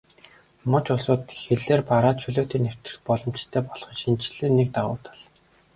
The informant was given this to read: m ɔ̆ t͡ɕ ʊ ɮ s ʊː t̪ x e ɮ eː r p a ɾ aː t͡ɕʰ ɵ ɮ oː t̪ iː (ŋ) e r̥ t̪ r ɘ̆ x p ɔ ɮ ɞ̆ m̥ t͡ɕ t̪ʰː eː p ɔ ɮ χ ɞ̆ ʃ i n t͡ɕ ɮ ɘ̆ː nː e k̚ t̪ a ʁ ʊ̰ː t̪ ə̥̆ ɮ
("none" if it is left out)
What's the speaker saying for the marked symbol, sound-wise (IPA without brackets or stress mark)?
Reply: n